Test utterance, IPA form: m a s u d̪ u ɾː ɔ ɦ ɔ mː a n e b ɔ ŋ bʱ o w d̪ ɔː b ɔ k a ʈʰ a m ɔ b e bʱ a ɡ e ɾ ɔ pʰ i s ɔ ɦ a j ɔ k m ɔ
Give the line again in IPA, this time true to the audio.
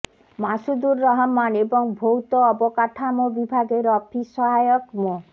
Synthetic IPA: m a s u d̪ u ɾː ɔ ɦ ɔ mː a n e b ɔ ŋ bʱ o w t̪ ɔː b ɔ k a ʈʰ a m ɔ b i bʱ a ɡ e ɾ ɔ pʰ i s ɔ ɦ a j ɔ k m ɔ